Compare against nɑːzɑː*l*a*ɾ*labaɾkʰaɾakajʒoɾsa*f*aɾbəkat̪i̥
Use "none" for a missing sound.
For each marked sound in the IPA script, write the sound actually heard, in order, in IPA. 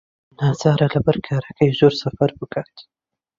ɾ, none, f

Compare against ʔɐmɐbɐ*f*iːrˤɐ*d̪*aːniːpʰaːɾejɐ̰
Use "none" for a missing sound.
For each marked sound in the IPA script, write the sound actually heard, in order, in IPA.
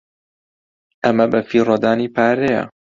f, d̪

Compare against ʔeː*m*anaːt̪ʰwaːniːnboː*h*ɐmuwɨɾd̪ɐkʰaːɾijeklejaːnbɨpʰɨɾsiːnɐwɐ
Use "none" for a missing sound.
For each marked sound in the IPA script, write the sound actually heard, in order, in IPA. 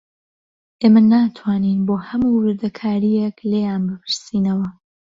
m, h

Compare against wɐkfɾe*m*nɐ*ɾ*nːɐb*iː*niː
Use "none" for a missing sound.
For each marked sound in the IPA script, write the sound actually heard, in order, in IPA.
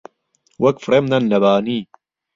m, none, aː

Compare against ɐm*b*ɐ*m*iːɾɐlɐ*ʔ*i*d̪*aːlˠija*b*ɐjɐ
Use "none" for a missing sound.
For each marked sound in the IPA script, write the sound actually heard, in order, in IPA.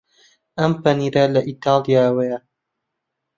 p, n, ʔ, t̪, w

